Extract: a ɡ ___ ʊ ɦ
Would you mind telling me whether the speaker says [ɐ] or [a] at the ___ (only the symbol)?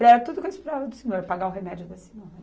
a